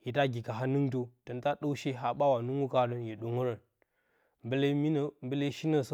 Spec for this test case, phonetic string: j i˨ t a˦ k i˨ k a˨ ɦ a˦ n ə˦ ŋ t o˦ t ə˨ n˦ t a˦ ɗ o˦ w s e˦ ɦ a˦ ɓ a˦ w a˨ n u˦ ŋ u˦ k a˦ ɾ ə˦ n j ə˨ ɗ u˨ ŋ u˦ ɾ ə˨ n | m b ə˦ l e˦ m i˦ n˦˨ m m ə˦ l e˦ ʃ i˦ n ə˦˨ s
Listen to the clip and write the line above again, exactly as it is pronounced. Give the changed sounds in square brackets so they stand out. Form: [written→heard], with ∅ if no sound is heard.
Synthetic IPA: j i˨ t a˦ [k→ɡ] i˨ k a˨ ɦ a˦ n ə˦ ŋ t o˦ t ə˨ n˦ t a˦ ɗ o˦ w [s→ʃ] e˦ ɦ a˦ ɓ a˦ w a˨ n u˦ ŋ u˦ k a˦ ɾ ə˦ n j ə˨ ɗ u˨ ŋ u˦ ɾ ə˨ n | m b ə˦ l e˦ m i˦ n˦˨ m [m→b] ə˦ l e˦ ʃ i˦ n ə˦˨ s